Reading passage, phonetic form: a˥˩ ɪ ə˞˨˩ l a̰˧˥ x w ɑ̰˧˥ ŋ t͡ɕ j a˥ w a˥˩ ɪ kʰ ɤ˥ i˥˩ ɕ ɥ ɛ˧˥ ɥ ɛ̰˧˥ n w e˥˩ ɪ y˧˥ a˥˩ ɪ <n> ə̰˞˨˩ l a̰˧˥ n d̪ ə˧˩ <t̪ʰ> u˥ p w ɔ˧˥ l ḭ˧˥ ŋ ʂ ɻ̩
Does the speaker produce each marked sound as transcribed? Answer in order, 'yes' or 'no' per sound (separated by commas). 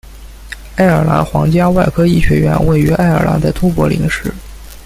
no, yes